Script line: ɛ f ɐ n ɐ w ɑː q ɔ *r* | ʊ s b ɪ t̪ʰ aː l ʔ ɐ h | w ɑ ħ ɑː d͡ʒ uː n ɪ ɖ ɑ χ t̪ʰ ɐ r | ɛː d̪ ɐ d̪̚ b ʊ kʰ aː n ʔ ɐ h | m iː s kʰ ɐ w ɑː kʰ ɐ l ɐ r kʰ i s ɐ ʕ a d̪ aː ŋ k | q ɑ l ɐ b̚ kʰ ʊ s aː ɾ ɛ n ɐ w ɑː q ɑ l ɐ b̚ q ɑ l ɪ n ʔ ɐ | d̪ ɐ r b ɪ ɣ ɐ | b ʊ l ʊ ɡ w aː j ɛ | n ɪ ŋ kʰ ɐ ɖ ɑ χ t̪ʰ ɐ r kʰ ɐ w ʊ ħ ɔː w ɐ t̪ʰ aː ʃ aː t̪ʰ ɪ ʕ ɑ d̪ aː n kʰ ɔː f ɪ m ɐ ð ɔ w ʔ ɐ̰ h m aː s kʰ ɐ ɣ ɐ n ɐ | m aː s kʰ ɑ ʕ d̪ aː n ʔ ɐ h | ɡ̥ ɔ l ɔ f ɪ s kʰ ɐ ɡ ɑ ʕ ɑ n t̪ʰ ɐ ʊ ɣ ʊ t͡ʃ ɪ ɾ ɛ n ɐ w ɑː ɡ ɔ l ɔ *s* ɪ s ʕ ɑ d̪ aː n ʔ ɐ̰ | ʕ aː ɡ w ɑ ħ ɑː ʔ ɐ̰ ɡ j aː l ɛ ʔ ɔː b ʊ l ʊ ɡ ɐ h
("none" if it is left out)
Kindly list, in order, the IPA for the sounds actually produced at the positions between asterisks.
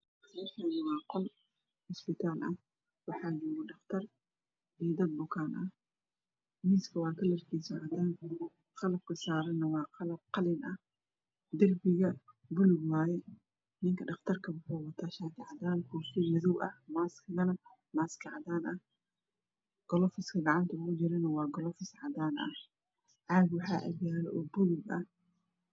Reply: l, f

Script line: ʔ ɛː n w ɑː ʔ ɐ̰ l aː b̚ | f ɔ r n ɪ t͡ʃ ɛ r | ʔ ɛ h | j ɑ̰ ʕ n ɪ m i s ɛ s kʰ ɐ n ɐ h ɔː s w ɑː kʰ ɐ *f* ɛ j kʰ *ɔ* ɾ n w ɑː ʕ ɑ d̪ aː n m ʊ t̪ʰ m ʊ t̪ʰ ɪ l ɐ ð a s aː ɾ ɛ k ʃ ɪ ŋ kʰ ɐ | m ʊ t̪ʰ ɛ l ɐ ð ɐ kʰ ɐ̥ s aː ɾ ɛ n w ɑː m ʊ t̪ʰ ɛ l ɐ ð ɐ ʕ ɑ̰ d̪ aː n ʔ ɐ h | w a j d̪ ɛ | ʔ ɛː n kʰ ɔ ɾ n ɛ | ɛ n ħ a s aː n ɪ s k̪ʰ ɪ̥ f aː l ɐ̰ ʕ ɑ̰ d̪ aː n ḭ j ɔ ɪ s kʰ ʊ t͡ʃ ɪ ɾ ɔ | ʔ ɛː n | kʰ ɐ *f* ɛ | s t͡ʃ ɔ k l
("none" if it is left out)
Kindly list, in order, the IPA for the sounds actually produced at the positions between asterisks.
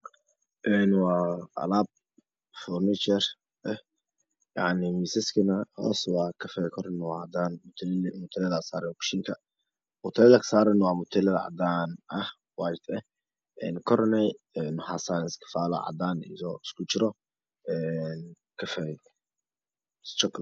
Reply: f, ɔ, f

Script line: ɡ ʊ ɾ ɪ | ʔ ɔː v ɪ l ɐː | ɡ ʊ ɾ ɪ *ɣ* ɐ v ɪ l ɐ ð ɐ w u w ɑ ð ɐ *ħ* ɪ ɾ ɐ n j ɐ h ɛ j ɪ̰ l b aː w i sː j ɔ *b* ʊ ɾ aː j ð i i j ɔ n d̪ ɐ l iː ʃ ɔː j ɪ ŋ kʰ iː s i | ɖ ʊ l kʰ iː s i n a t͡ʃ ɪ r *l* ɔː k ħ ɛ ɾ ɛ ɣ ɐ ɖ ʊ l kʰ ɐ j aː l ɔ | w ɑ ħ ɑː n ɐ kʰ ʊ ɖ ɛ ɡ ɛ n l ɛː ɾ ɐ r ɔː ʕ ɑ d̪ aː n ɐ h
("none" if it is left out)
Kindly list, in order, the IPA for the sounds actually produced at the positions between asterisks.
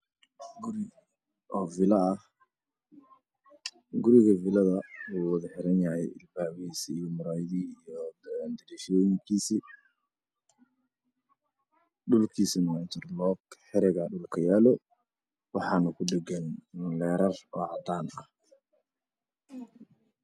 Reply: ɣ, ħ, m, l

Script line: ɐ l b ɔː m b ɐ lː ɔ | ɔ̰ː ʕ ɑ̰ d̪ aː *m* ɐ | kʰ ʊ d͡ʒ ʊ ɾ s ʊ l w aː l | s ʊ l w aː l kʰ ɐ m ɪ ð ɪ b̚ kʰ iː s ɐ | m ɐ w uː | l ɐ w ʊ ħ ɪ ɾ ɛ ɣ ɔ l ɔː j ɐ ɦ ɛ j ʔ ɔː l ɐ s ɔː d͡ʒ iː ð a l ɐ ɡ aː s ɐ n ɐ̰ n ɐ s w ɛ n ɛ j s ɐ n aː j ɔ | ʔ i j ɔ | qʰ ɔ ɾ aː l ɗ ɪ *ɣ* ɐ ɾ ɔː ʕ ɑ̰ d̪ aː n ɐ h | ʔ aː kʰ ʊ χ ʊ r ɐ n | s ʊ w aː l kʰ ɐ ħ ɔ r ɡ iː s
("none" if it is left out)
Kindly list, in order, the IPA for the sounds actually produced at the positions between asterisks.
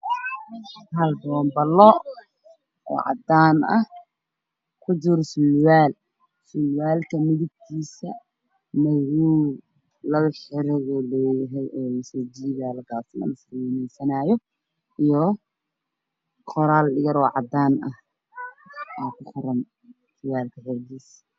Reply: n, ɣ

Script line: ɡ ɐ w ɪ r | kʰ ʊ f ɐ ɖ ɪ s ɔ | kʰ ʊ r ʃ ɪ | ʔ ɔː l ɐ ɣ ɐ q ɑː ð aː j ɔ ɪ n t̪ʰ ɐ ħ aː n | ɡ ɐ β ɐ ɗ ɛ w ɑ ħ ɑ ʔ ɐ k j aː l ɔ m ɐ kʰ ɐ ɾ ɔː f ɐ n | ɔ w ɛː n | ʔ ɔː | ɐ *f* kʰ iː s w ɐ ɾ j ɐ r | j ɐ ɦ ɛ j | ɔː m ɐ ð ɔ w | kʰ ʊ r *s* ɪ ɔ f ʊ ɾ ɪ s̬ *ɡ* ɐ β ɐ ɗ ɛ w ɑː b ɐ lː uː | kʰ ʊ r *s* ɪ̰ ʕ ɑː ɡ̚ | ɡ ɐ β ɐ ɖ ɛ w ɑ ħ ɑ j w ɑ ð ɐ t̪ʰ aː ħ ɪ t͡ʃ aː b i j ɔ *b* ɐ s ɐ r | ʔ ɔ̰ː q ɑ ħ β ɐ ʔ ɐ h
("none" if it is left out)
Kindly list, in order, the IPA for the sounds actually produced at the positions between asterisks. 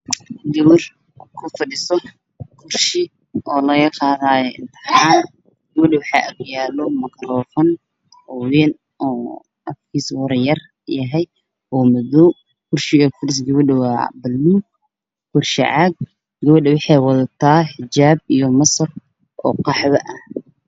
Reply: f, ʃ, ɡ, ʃ, m

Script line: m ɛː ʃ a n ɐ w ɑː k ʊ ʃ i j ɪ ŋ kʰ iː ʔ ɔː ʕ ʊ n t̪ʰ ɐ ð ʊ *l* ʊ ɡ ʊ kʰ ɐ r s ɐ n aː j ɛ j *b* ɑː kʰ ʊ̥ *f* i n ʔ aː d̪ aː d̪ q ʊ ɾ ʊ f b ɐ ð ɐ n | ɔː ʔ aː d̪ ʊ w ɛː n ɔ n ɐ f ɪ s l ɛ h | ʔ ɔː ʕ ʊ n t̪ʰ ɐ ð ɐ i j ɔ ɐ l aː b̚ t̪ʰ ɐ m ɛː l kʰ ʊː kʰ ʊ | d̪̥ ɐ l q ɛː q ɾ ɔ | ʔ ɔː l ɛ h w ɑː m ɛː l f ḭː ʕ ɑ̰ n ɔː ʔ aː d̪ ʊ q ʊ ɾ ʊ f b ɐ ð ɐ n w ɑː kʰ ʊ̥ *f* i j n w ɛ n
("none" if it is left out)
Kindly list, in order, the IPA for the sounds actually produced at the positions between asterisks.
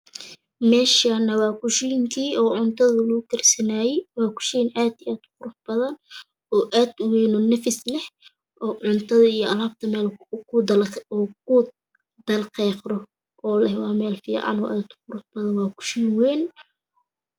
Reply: l, w, ʃ, ʃ

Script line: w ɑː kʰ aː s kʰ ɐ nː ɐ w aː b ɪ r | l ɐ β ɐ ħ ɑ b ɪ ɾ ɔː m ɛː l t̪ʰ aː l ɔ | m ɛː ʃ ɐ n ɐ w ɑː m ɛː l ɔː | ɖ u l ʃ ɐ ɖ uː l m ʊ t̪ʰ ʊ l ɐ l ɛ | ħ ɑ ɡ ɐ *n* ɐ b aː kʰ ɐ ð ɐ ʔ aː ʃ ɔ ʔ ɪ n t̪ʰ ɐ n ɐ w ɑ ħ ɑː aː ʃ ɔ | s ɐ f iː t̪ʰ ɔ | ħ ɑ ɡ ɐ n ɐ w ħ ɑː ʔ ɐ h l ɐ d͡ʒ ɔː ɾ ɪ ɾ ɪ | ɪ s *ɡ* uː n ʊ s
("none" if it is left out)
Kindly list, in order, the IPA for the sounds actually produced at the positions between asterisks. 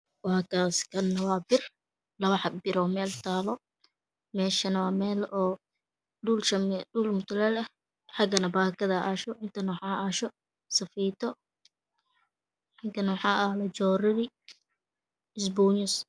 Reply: n, b

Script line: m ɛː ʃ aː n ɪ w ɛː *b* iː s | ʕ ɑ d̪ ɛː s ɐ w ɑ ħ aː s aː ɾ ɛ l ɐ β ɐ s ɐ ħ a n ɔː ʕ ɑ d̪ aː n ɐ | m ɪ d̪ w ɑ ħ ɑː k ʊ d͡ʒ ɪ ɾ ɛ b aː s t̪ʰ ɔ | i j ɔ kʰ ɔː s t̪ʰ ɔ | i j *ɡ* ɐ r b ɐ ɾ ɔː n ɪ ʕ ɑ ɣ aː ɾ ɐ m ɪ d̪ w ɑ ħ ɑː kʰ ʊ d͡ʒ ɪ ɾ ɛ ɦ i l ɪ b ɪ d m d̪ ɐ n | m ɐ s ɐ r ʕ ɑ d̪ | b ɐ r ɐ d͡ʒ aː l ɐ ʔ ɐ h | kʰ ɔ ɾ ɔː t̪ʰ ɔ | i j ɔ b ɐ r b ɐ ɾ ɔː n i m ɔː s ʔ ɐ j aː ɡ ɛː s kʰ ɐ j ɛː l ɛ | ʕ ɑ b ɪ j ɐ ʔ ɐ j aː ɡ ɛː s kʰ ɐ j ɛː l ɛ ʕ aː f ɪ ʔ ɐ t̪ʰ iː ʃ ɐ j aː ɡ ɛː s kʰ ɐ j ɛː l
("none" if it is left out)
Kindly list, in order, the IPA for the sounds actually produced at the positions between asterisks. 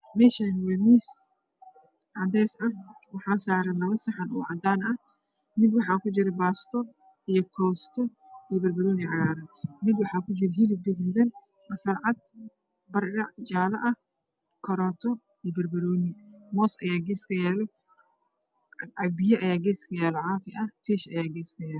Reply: m, b

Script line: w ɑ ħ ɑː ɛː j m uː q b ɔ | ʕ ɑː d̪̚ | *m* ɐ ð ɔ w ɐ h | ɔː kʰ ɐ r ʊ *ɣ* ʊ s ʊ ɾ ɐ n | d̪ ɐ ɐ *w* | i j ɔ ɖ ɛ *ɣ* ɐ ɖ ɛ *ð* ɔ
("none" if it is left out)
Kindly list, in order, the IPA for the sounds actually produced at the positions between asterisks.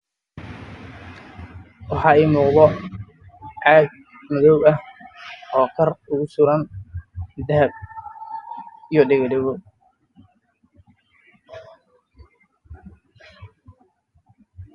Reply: m, ɣ, b, ɣ, ɣ

